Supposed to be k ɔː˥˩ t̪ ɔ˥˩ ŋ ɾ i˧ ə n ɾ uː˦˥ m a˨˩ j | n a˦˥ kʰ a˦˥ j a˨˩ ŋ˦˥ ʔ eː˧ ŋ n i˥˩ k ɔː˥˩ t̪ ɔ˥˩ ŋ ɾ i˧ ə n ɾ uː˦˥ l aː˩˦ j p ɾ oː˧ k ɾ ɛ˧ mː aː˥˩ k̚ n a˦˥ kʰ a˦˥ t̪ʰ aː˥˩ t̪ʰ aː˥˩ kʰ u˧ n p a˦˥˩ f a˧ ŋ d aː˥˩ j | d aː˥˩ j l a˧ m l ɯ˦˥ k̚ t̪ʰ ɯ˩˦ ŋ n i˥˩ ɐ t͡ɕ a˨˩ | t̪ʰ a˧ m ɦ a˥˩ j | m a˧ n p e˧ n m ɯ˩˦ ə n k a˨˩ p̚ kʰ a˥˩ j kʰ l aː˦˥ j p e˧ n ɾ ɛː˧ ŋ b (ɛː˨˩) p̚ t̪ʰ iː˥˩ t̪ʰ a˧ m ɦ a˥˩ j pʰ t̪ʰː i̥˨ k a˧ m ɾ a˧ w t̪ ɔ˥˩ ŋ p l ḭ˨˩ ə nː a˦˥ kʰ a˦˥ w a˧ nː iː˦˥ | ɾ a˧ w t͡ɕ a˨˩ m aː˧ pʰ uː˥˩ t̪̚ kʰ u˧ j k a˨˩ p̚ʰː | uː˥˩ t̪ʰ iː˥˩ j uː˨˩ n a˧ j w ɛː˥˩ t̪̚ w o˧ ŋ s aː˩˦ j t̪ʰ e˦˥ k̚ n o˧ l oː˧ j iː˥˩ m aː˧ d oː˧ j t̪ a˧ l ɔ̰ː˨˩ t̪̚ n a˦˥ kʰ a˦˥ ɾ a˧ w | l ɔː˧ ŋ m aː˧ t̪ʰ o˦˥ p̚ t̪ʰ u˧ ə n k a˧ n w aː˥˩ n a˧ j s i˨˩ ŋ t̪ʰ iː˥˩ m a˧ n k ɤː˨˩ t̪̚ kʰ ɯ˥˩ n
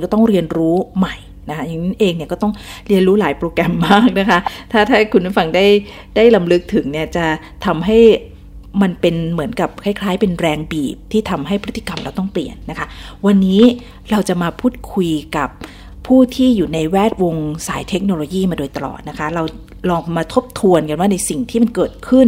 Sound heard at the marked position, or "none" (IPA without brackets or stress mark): iː˨˩